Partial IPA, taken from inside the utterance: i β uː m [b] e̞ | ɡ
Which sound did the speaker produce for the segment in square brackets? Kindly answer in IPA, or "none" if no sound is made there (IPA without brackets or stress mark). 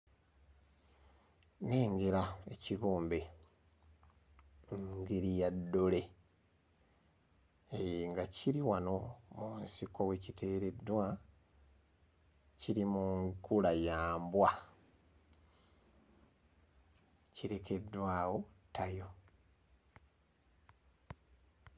b